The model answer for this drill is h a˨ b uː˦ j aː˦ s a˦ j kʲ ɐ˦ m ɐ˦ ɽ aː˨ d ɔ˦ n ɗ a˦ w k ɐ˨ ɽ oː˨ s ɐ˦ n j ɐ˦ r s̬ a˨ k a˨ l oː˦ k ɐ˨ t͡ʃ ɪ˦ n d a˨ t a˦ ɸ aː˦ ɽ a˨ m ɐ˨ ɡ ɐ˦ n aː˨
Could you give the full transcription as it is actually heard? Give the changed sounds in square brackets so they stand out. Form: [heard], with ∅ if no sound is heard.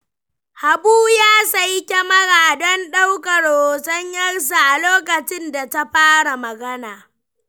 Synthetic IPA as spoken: h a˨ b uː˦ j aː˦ s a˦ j kʲ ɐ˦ m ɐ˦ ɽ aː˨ d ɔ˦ n ɗ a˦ w k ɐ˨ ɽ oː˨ s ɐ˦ [ɲ] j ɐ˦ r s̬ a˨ [ʔ] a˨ l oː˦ k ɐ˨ t͡ʃ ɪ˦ n d a˨ t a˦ ɸ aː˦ ɽ a˨ m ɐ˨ ɡ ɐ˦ n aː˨